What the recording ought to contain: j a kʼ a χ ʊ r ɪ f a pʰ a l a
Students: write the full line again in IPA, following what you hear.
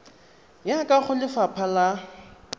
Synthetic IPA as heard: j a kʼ a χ ʊ l ɪ f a pʰ a l a

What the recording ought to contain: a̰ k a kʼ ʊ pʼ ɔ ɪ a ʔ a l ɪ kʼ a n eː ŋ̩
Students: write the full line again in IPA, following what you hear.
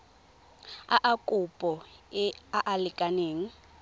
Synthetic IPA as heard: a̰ ʔ a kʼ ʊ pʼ ɔ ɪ a ʔ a l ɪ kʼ a n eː ŋ̩

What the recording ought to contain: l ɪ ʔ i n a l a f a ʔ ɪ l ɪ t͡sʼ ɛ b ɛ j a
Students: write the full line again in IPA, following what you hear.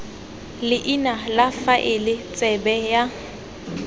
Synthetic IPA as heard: l ɪ ʔ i n a l a f a ʔ ɪ l ɪ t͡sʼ ɛ b ɛ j a

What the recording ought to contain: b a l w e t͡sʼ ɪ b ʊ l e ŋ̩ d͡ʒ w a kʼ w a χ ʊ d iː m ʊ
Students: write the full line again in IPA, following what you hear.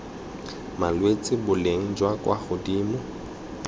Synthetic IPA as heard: m a l w e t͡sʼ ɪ b ʊ l e ŋ̩ d͡ʒ w a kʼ w a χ ʊ d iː m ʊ

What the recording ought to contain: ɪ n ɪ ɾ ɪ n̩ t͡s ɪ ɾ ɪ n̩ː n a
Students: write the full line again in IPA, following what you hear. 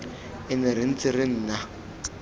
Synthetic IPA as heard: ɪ n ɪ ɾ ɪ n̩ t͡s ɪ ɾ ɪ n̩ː n a

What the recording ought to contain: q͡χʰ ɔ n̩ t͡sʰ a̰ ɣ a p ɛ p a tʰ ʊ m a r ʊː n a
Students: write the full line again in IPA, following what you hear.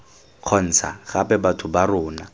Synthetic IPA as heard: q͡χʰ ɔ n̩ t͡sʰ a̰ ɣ a p ɛ b a tʰ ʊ b a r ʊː n a

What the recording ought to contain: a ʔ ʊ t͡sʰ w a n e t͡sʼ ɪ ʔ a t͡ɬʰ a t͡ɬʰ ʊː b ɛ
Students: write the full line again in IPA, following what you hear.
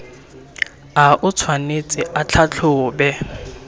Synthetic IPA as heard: a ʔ ʊ t͡sʰ w a n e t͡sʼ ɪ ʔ a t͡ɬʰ a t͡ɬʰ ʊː b ɛ

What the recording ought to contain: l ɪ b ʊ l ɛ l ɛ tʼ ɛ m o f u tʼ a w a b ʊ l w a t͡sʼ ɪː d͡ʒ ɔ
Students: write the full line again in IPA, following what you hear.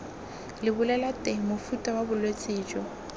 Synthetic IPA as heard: l ɪ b ʊ l ɛ l a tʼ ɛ m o f u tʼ a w a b ʊ l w e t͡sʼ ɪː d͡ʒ ɔ

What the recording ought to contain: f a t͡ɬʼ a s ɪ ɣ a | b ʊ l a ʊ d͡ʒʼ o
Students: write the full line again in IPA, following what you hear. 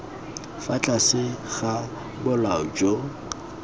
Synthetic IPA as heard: f a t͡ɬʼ a s ɪ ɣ a | b ʊ l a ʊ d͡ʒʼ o

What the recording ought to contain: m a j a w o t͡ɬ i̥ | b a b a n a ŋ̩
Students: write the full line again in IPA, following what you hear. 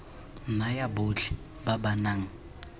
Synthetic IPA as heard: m a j a b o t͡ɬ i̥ | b a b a n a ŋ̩

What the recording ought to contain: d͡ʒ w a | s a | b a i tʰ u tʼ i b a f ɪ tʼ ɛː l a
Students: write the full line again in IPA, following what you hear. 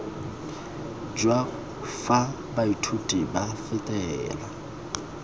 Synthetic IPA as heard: d͡ʒ w a | f a | b a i tʰ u tʼ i b a f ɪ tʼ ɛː l a

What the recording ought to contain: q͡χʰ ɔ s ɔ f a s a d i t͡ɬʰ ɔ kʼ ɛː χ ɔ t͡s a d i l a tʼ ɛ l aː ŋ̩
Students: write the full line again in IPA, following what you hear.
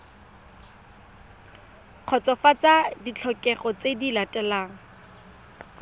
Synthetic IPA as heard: q͡χʰ ɔ t͡s ɔ f a t͡s a d i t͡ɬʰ ɔ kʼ ɛ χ ɔ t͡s e d i l a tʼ ɛ l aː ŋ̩

